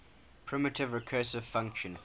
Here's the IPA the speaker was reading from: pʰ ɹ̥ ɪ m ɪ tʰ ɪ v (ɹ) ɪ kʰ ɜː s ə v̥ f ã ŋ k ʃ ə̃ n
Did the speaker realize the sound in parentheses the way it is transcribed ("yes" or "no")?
yes